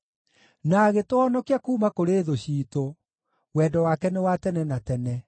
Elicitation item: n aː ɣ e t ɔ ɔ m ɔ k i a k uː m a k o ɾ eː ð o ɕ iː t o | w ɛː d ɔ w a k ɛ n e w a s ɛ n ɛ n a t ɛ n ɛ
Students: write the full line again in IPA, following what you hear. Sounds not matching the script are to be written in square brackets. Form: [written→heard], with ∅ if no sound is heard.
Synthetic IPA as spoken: n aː ɣ e t [ɔ→o] ɔ [m→n] ɔ k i a k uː m a k o ɾ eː ð o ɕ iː t o | w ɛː d ɔ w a k ɛ n e w a [s→t] ɛ n ɛ n a t ɛ n ɛ